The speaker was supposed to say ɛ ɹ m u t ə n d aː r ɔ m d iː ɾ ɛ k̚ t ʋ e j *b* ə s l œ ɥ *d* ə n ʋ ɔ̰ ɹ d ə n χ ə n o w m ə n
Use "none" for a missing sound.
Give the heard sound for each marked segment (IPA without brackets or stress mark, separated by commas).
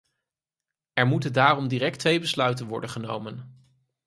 b, t